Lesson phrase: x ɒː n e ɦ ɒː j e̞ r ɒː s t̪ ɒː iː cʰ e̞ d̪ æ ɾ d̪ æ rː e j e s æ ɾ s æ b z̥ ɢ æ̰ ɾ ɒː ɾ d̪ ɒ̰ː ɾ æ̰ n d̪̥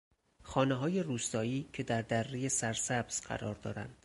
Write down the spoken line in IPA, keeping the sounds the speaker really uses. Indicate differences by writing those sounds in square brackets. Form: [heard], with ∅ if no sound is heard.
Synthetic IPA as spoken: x ɒː n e ɦ ɒː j e̞ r [uː] s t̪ ɒː iː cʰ e̞ d̪ æ ɾ d̪ æ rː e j e s æ ɾ s æ b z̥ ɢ æ̰ ɾ ɒː ɾ d̪ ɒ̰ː ɾ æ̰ n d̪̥